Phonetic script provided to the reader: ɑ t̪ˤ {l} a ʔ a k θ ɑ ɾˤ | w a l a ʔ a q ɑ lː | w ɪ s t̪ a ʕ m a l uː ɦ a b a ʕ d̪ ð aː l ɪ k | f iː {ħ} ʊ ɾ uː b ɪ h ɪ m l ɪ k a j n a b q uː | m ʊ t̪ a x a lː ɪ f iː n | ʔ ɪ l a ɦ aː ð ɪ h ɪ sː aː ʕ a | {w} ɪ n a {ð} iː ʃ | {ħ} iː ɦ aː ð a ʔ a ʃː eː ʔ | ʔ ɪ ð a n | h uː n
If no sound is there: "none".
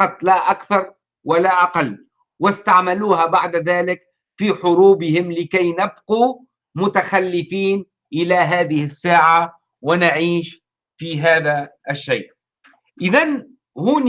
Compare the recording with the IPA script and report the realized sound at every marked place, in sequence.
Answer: l, ħ, w, ʕ, f

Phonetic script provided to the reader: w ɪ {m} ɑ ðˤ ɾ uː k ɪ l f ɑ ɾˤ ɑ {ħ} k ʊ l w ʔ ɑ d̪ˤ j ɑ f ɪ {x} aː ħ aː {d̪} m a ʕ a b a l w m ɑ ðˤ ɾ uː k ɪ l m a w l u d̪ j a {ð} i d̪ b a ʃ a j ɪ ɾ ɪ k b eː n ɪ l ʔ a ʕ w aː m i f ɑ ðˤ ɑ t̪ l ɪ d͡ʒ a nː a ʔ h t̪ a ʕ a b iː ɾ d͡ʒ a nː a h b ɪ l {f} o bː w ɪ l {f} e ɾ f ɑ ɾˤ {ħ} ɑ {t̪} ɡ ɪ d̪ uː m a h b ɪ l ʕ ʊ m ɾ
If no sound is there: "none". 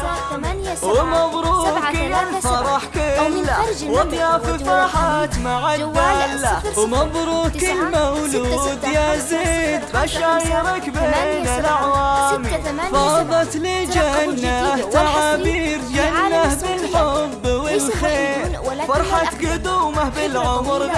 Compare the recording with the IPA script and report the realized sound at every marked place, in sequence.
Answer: m, ħ, f, t̪, z, ħ, x, ħ, t̪

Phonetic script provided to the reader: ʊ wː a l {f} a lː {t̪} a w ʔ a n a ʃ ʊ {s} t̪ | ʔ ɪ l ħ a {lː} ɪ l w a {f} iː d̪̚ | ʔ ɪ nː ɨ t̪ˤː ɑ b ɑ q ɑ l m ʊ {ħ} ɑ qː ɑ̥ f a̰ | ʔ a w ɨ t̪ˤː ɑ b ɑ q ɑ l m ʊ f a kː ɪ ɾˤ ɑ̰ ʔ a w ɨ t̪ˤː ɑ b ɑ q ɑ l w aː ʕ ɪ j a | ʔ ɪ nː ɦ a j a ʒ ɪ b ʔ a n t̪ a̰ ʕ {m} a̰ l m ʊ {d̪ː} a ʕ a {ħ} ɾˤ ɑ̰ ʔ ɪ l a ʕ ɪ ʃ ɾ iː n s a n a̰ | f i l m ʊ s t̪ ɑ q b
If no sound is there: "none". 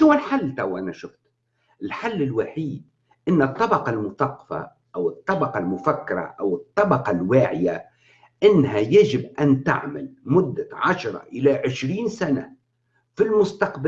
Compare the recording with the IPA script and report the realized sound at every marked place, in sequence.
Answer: ħ, t̪, f, lː, ħ, θ, m, d̪ː, ʃ

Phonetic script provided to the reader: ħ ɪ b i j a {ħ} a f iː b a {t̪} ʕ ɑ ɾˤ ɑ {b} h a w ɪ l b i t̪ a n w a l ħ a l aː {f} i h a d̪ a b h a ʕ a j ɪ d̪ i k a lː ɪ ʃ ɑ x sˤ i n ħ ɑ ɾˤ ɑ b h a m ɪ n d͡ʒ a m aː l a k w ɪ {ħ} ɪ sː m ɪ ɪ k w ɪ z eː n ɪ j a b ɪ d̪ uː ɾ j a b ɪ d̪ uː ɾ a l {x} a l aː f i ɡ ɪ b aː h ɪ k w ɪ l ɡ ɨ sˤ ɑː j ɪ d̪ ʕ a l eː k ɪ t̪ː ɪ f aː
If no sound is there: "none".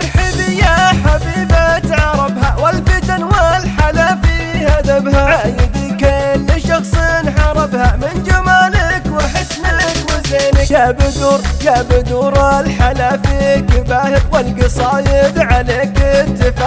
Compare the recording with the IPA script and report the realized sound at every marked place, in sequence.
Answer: ħ, t̪, b, f, ħ, ħ

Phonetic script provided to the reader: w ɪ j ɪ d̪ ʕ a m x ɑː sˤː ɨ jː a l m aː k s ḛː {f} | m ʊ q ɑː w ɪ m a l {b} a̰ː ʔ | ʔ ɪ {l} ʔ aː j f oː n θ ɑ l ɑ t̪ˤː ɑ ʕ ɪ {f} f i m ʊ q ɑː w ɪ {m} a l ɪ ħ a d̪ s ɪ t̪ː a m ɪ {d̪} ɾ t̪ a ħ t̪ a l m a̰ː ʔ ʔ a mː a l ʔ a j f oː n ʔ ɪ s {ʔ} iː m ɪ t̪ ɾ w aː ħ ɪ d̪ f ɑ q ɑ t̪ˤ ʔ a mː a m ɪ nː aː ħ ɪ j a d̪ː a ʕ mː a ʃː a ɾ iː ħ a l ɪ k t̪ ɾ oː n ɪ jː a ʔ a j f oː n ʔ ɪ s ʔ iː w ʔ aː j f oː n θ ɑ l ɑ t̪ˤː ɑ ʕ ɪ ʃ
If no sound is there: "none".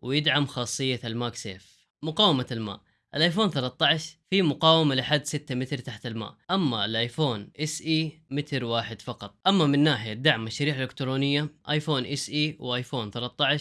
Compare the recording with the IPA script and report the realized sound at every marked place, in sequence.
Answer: f, m, l, ʃ, m, t̪, ʔ

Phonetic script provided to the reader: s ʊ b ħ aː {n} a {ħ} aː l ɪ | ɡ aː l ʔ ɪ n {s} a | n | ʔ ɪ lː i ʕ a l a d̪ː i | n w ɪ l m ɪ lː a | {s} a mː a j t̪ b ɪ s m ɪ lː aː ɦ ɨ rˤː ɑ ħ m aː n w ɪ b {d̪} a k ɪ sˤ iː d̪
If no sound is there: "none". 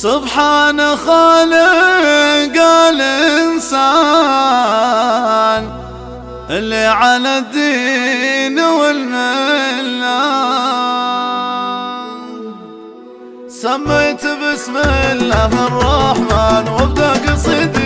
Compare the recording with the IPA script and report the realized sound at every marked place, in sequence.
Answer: n, x, s, s, d̪

